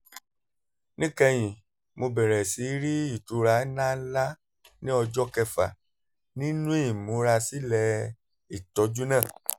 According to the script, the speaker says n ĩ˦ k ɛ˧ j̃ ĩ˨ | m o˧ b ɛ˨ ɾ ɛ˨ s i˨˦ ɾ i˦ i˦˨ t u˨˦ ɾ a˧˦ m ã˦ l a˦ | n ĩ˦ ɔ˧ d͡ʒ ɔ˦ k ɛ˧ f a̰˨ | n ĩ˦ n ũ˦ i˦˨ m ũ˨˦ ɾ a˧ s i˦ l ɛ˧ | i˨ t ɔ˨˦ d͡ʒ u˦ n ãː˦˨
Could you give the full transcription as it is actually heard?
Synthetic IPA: n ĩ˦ k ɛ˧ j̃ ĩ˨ | m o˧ b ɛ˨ ɾ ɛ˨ s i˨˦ ɾ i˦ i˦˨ t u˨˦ ɾ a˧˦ n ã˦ l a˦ | n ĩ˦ ɔ˧ d͡ʒ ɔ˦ k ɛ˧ f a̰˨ | n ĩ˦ n ũ˦ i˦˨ m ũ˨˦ ɾ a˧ s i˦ l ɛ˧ | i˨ t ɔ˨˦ d͡ʒ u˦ n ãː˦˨